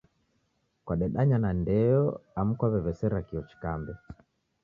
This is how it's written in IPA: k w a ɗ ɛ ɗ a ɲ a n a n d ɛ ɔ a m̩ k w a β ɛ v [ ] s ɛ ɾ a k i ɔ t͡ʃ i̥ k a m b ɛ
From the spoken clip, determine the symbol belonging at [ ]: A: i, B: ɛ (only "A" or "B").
B